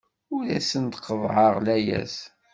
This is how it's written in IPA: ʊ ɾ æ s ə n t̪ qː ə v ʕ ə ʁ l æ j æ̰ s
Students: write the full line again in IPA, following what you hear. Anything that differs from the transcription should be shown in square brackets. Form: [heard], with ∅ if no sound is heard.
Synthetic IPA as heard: ʊ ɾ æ s ə n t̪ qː ə v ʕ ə ʁ l æ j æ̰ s